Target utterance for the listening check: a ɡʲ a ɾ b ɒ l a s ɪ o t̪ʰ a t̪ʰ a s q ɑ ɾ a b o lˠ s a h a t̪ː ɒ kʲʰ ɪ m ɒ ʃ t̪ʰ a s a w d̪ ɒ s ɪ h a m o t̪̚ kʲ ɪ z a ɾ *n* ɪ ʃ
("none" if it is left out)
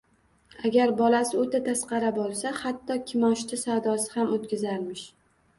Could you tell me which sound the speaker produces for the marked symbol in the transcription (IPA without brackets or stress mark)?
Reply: m